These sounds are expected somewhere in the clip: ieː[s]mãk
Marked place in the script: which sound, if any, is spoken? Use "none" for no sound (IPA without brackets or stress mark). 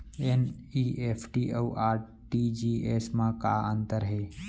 s